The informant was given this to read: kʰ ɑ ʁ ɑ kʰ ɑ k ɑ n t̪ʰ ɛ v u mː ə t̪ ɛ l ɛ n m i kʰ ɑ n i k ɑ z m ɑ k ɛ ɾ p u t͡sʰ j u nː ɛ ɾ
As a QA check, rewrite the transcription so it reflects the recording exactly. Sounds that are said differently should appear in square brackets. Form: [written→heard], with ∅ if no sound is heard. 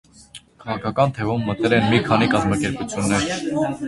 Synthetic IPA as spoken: kʰ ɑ ʁ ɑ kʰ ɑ k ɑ n t̪ʰ ɛ v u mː ə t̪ ɛ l ɛ n m i kʰ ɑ n i k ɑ z m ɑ k ɛ ɾ p u t͡sʰ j u nː ɛ ɾ